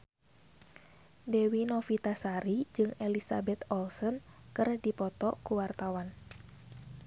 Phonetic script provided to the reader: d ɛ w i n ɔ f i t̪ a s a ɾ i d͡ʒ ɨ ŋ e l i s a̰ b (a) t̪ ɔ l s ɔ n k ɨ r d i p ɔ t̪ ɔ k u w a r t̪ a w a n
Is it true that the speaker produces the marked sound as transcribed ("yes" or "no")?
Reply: no